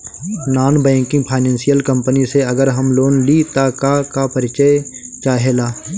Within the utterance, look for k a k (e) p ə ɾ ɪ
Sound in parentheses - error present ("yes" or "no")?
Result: yes